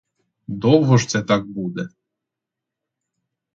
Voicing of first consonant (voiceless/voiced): voiced